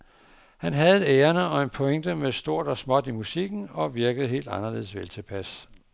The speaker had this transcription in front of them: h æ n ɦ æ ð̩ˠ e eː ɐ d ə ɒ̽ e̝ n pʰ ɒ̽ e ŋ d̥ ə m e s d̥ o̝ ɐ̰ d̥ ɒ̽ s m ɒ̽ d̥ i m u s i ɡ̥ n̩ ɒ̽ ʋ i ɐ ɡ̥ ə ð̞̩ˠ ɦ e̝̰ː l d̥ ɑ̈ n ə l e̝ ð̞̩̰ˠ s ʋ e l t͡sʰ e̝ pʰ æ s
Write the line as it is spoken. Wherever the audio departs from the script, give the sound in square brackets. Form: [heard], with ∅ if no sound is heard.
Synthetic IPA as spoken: h æ n ɦ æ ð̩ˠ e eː ɐ [n] ə ɒ̽ e̝ n pʰ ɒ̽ e ŋ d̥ ə m e s d̥ o̝ ɐ̰ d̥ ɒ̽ s m ɒ̽ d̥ i m u s i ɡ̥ n̩ ɒ̽ ʋ i ɐ ɡ̥ ə ð̞̩ˠ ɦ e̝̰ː l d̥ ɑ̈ n [ɐ] l e̝ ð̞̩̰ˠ s ʋ e l t͡sʰ e̝ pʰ æ s